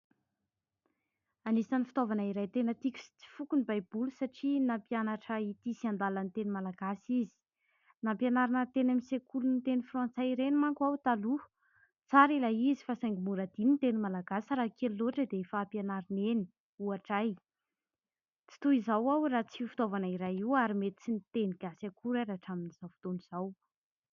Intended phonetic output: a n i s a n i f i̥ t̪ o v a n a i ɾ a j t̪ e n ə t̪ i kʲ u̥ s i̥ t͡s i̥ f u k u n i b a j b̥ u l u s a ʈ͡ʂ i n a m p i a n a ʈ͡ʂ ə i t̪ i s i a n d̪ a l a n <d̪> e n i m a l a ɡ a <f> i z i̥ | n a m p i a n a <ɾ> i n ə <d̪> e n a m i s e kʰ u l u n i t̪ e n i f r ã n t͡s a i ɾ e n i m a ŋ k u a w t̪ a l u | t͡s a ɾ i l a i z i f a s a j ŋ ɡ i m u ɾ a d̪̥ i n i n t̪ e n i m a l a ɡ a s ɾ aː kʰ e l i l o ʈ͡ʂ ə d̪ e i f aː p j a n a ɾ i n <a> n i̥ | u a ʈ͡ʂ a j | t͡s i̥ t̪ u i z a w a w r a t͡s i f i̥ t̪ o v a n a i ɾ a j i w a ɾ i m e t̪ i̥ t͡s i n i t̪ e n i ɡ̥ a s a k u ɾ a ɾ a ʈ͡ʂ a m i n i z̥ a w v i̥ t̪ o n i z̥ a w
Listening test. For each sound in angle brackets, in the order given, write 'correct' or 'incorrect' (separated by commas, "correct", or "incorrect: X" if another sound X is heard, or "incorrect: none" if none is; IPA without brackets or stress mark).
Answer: incorrect: t̪, incorrect: s, correct, incorrect: t̪, incorrect: e